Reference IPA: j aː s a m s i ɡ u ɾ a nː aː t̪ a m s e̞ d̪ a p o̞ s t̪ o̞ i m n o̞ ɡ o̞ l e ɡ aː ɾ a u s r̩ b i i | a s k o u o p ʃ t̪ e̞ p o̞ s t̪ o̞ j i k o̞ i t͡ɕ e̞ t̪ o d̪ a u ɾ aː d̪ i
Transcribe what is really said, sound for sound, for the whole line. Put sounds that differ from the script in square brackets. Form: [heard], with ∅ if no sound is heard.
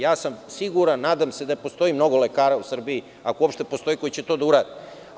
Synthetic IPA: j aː s a m s i ɡ u ɾ a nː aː [d̪] a m s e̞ d̪ a p o̞ s t̪ o̞ i m n o̞ ɡ o̞ l e [k] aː ɾ a u s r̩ b i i | a [∅] k o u o p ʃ t̪ e̞ p o̞ s t̪ o̞ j i k o̞ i t͡ɕ e̞ t̪ o d̪ a u ɾ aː d̪ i